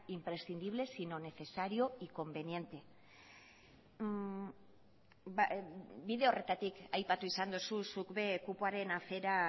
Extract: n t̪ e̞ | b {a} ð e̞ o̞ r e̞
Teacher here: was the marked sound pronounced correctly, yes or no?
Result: no